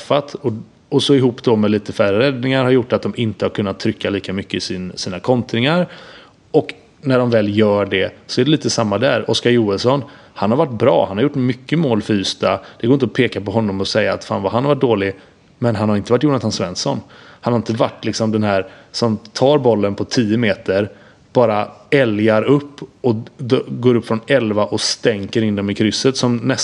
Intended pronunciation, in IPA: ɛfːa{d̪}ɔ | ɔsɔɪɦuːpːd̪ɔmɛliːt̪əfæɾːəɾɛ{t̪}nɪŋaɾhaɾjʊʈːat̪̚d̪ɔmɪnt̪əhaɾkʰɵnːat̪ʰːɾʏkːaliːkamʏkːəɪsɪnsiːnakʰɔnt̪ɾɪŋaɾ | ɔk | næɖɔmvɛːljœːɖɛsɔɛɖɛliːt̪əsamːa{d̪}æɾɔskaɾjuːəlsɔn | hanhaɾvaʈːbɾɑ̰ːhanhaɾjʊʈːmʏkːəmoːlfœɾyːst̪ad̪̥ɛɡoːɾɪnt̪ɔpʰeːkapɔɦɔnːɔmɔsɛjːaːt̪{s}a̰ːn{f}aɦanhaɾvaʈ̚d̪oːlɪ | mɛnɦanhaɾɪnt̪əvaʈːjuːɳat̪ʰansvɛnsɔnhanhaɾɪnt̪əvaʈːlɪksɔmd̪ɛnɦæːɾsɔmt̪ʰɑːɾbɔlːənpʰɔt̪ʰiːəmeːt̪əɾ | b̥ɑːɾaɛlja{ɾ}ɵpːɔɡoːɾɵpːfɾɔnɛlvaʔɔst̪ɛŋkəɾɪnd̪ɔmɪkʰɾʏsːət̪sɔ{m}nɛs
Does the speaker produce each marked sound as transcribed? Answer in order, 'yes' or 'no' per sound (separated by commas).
no, no, yes, no, no, yes, yes